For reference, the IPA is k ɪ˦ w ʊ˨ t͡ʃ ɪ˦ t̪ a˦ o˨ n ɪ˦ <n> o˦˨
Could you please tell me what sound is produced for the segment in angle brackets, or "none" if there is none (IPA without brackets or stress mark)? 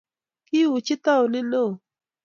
n